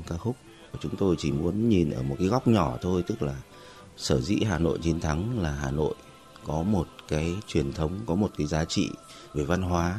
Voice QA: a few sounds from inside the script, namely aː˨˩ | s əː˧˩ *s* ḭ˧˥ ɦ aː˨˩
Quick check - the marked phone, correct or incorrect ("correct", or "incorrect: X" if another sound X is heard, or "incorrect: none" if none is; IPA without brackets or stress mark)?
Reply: incorrect: z